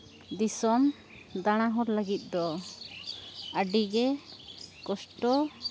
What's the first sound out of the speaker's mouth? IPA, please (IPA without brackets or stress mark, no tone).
d̪